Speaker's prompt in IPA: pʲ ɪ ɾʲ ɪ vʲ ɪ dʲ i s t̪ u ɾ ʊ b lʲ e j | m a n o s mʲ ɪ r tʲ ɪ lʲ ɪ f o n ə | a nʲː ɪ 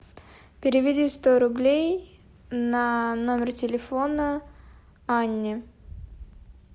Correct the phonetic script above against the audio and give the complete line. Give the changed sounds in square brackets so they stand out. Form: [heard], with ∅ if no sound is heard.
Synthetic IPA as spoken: pʲ ɪ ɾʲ ɪ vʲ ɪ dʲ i s t̪ [o] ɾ ʊ b lʲ e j | [n] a n o [∅] mʲ ɪ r tʲ ɪ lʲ ɪ f o n ə | a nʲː ɪ

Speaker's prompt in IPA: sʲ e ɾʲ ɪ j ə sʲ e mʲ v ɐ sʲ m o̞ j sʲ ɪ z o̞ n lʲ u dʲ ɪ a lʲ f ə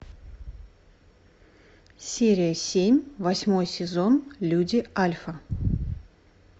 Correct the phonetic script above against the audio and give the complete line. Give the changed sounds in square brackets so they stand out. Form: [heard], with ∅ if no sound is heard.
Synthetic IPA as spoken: sʲ e ɾʲ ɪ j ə sʲ e mʲ v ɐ sʲ m o̞ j sʲ ɪ z o̞ n lʲ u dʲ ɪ a lʲ f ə

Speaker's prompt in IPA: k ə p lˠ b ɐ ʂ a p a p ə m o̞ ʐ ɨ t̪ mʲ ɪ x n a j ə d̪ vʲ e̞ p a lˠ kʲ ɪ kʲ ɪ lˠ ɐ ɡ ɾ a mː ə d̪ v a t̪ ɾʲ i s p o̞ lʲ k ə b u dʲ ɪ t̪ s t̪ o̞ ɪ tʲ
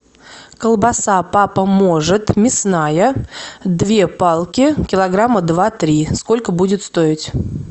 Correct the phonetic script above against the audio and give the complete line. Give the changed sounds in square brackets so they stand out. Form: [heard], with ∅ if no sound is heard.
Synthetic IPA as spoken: k ə [∅] lˠ b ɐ [s] a p a p ə m o̞ ʐ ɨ t̪ mʲ ɪ [s] n a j ə d̪ vʲ e̞ p a lˠ kʲ ɪ kʲ ɪ lˠ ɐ ɡ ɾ a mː ə d̪ v a t̪ ɾʲ i s [k] o̞ lʲ k ə b u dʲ ɪ t̪ s t̪ o̞ ɪ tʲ

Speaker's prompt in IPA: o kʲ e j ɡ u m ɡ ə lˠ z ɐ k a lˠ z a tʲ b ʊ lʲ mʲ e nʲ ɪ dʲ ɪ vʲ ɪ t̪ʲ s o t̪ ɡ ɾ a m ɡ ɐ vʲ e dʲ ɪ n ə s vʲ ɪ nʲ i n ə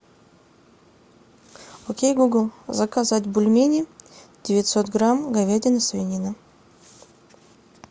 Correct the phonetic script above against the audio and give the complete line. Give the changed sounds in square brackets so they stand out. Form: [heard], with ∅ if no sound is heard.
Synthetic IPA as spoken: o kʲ e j ɡ u [∅] ɡ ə lˠ z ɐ k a [∅] z a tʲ b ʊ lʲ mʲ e nʲ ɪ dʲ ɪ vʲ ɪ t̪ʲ s o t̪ ɡ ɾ a m ɡ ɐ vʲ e dʲ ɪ n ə s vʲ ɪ nʲ i n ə

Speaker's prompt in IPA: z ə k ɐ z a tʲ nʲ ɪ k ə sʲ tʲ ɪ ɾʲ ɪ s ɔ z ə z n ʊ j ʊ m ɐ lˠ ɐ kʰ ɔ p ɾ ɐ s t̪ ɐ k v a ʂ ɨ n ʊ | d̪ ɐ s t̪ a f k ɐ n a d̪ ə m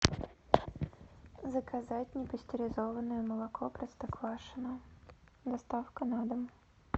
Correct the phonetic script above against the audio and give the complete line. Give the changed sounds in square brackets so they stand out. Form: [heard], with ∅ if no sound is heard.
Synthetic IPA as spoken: z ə k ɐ z a tʲ nʲ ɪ [p] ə sʲ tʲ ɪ ɾʲ ɪ [z] ɔ [v] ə [∅] n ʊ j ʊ m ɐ lˠ ɐ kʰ ɔ p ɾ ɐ s t̪ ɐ k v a ʂ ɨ n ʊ | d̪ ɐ s t̪ a f k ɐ n a d̪ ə m

